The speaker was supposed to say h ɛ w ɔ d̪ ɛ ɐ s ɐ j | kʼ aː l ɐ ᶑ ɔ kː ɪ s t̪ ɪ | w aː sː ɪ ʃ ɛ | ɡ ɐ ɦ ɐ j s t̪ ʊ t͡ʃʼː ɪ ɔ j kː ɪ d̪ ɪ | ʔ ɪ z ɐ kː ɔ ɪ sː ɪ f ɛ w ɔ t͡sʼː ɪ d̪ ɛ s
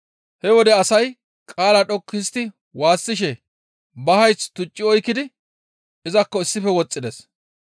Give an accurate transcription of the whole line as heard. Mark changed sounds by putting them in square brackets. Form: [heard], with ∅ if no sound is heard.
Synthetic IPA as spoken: h ɛ w ɔ d̪ ɛ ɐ s ɐ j | kʼ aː l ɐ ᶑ ɔ kː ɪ s t̪ ɪ | w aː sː ɪ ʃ ɛ | [b] ɐ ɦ ɐ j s t̪ ʊ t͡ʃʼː ɪ ɔ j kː ɪ d̪ ɪ | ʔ ɪ z ɐ kː ɔ ɪ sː ɪ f ɛ w ɔ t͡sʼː ɪ d̪ ɛ s

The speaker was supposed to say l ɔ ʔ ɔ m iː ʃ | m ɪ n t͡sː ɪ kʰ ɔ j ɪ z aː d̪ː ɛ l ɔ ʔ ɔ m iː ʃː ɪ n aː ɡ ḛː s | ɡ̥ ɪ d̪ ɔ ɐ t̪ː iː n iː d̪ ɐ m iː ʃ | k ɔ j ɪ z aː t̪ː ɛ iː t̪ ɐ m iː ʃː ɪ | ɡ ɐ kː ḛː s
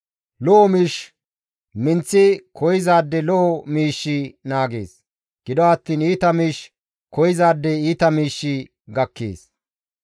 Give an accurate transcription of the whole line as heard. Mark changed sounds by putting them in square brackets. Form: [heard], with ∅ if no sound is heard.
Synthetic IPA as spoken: l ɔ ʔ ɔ m iː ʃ | m ɪ n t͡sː ɪ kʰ ɔ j ɪ z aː d̪ː ɛ l ɔ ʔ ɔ m iː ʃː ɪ n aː ɡ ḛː s | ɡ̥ ɪ d̪ ɔ ɐ t̪ː iː n iː [t̪] ɐ m iː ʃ | k ɔ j ɪ z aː [d̪ː] ɛ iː t̪ ɐ m iː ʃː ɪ | ɡ ɐ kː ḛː s

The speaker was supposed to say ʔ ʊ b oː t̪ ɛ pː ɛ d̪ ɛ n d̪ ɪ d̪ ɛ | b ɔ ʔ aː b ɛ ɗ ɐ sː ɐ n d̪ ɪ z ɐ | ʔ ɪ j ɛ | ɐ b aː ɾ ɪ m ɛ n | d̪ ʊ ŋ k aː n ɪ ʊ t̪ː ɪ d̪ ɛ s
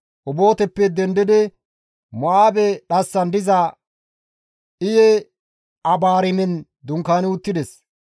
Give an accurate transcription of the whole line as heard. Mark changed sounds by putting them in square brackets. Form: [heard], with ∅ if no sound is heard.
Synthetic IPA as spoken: ʔ ʊ b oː t̪ ɛ pː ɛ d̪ ɛ n d̪ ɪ d̪ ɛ | [m] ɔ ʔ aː b ɛ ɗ ɐ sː ɐ n d̪ ɪ z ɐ | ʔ ɪ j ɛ | ɐ b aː ɾ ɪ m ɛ n | d̪ ʊ ŋ k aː n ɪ ʊ t̪ː ɪ d̪ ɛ s

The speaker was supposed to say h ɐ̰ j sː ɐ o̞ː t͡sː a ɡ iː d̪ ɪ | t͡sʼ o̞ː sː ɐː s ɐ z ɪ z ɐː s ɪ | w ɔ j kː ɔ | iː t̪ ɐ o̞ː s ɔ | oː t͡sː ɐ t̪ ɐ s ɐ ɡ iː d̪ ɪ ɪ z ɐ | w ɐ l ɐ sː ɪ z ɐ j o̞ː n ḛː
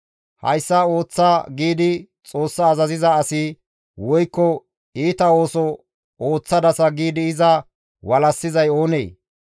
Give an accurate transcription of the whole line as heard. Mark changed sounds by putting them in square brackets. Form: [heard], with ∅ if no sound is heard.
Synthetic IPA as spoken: h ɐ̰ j sː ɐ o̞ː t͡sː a ɡ iː d̪ ɪ | t͡sʼ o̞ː sː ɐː [z] ɐ z ɪ z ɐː s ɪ | w ɔ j kː ɔ | iː t̪ ɐ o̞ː s ɔ | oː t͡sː ɐ [d̪] ɐ s ɐ ɡ iː d̪ ɪ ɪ z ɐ | w ɐ l ɐ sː ɪ z ɐ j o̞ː n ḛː

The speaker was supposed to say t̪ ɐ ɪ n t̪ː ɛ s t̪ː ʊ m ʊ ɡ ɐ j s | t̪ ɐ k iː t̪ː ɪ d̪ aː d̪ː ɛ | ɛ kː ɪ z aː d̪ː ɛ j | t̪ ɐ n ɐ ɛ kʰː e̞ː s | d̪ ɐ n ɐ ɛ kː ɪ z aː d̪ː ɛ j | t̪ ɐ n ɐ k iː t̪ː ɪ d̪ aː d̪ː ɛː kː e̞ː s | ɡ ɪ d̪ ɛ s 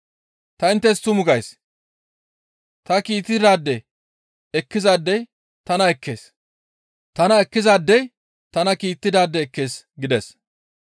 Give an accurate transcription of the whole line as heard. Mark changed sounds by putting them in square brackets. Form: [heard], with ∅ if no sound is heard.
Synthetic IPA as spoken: t̪ ɐ ɪ n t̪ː ɛ s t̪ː ʊ m ʊ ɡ ɐ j s | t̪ ɐ k iː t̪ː ɪ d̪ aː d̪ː ɛ | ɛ kː ɪ z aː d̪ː ɛ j | t̪ ɐ n ɐ ɛ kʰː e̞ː s | [t̪] ɐ n ɐ ɛ kː ɪ z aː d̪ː ɛ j | t̪ ɐ n ɐ k iː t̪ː ɪ d̪ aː d̪ː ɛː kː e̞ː s | ɡ ɪ d̪ ɛ s

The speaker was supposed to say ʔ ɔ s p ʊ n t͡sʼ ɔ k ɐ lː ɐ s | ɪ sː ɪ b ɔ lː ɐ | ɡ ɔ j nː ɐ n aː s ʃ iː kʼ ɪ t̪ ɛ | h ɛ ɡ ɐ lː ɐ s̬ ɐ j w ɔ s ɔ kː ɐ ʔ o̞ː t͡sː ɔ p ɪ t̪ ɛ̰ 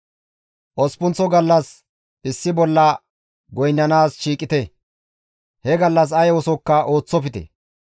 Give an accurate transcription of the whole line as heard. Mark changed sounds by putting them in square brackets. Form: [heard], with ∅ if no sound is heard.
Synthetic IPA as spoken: ʔ ɔ s p ʊ n [t͡s] ɔ [ɡ] ɐ lː ɐ s | ɪ sː ɪ b ɔ lː ɐ | ɡ ɔ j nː ɐ n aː s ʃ iː kʼ ɪ t̪ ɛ | h ɛ ɡ ɐ lː ɐ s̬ ɐ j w ɔ s ɔ kː ɐ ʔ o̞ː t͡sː ɔ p ɪ t̪ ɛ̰

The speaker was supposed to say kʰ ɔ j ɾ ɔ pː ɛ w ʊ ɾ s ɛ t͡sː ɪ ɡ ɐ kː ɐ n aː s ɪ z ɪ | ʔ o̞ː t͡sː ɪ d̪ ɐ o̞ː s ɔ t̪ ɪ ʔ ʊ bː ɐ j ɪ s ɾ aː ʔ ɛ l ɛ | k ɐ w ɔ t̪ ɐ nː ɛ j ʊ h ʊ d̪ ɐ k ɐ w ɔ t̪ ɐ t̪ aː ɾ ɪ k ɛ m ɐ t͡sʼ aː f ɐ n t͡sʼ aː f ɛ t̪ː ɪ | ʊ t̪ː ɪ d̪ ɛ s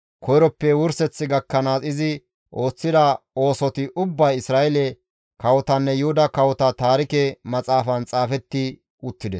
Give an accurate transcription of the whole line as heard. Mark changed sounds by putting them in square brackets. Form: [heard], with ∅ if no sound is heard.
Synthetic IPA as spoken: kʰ ɔ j ɾ ɔ pː ɛ w ʊ ɾ s ɛ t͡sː ɪ ɡ ɐ kː ɐ n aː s ɪ z ɪ | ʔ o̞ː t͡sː ɪ d̪ ɐ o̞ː s ɔ t̪ ɪ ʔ ʊ bː ɐ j ɪ s ɾ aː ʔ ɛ l ɛ | k ɐ w ɔ t̪ ɐ nː ɛ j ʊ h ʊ d̪ ɐ k ɐ w ɔ t̪ ɐ t̪ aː ɾ ɪ k ɛ m ɐ t͡sʼ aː f ɐ n t͡sʼ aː f ɛ t̪ː ɪ | ʊ t̪ː ɪ d̪ ɛ s

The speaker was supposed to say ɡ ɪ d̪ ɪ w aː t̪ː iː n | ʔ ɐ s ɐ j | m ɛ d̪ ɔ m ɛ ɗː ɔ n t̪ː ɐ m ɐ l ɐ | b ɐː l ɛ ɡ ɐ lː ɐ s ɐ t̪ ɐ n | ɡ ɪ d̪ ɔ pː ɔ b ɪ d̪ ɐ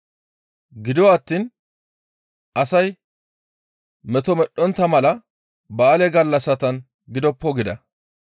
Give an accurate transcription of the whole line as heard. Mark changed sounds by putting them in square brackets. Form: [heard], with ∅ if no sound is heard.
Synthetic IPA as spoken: ɡ ɪ d̪ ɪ w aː t̪ː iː n | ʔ ɐ s ɐ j | m ɛ [t̪] ɔ m ɛ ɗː ɔ n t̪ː ɐ m ɐ l ɐ | b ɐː l ɛ ɡ ɐ lː ɐ s ɐ t̪ ɐ n | ɡ ɪ d̪ ɔ pː ɔ [ɡ] ɪ d̪ ɐ

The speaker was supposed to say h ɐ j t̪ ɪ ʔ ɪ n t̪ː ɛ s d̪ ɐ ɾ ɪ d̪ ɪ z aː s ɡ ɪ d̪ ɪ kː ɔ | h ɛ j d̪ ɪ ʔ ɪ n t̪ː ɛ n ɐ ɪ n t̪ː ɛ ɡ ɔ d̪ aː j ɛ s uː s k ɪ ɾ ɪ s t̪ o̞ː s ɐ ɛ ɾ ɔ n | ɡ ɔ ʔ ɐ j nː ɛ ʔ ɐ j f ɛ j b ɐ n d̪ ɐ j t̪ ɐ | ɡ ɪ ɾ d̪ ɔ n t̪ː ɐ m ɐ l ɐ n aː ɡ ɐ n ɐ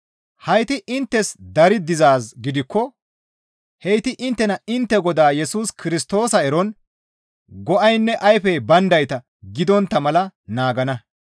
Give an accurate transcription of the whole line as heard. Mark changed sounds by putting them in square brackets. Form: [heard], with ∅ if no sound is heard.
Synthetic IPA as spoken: h ɐ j t̪ ɪ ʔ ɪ n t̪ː ɛ s d̪ ɐ ɾ ɪ d̪ ɪ z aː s ɡ ɪ d̪ ɪ kː ɔ | h ɛ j [t̪] ɪ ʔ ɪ n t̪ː ɛ n ɐ ɪ n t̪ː ɛ ɡ ɔ d̪ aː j ɛ s uː s k ɪ ɾ ɪ s t̪ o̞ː s ɐ ɛ ɾ ɔ n | ɡ ɔ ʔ ɐ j nː ɛ ʔ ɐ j f ɛ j b ɐ n d̪ ɐ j t̪ ɐ | ɡ ɪ [∅] d̪ ɔ n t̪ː ɐ m ɐ l ɐ n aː ɡ ɐ n ɐ

